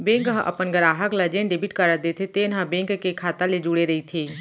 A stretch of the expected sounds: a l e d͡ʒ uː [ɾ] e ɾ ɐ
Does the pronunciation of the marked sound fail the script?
yes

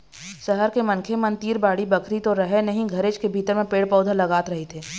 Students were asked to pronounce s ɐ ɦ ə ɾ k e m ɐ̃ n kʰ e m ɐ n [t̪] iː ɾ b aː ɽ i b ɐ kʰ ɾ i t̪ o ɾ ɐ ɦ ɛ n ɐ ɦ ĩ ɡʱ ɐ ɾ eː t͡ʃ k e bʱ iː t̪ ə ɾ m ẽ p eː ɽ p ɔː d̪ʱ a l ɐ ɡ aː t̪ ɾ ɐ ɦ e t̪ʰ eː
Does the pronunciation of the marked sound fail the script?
no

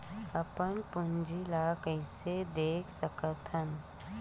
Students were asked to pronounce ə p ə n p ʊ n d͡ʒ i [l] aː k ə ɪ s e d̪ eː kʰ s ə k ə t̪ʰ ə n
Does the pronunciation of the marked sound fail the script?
no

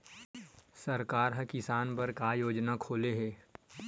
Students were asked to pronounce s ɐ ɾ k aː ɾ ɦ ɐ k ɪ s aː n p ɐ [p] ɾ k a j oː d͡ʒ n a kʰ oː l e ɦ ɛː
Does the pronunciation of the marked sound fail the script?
yes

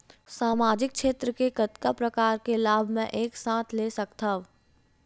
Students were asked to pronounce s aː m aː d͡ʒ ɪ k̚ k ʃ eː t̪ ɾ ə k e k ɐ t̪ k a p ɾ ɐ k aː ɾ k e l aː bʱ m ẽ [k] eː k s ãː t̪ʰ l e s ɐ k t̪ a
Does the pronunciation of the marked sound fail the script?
yes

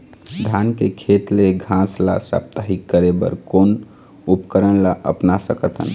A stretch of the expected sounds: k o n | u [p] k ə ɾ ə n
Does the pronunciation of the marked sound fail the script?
no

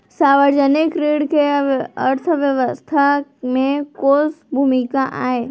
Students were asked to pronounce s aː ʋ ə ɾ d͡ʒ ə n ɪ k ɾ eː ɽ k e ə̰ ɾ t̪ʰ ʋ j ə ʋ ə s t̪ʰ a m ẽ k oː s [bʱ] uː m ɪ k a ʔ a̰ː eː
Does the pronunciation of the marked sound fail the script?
no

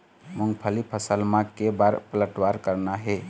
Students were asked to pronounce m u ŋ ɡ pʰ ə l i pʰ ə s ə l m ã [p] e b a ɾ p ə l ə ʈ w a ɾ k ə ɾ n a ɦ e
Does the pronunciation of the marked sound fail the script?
yes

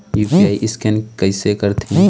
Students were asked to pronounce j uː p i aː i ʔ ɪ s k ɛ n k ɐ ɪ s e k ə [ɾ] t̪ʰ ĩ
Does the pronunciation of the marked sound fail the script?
no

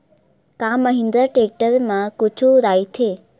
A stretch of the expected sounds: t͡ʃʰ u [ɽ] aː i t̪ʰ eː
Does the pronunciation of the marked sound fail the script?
yes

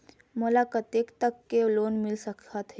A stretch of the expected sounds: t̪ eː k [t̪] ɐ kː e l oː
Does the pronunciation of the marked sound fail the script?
no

